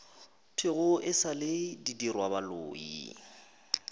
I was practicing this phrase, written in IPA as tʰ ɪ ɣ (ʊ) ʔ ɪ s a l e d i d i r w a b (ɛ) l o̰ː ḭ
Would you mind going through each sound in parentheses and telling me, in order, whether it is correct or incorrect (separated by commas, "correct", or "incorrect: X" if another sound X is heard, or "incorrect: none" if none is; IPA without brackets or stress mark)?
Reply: correct, incorrect: a